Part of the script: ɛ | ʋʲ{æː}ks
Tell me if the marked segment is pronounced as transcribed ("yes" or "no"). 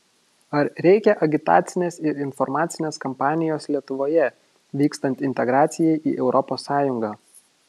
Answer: no